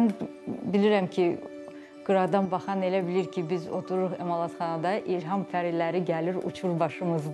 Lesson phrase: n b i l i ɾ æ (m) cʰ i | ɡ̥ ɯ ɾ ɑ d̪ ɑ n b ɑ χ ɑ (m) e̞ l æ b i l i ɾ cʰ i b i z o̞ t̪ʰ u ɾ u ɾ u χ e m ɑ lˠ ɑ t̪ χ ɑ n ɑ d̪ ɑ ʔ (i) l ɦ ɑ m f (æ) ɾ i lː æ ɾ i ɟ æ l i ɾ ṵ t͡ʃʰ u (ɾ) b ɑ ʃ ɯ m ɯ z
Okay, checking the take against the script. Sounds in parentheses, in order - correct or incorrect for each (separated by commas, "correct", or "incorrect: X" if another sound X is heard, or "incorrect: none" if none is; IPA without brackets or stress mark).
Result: correct, incorrect: n, correct, correct, correct